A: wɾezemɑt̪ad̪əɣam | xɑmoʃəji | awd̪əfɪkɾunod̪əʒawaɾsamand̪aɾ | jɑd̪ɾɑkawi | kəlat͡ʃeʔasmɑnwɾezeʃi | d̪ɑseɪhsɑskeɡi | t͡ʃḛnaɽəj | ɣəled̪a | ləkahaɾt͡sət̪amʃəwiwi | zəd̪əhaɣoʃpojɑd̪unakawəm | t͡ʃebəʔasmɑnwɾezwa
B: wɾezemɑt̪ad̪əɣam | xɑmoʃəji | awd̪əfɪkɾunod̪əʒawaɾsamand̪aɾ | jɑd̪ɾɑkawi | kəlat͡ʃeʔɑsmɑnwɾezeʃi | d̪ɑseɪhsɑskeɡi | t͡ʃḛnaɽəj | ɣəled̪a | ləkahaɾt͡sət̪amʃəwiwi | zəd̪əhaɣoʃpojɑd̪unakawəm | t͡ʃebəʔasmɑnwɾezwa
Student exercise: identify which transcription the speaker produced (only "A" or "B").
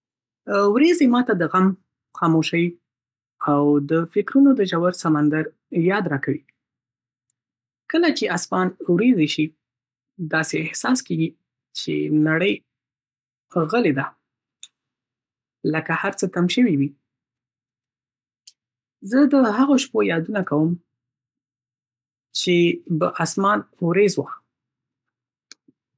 A